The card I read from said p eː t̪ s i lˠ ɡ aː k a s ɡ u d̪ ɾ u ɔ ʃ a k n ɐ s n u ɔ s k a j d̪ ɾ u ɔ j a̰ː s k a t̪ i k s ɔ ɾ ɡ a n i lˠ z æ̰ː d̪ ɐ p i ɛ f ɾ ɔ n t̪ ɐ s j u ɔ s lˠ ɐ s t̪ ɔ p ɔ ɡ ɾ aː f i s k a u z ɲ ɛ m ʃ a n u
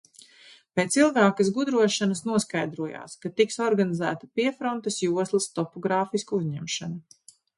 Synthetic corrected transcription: p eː t̪ s i lˠ ɡ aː k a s ɡ u d̪ ɾ u ɔ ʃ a n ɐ s n u ɔ s k a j d̪ ɾ u ɔ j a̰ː s k a t̪ i k s ɔ ɾ ɡ a n i z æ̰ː t̪ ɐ p i ɛ f ɾ ɔ n t̪ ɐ s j u ɔ s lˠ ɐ s t̪ ɔ p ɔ ɡ ɾ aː f i s k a u z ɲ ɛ m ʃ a n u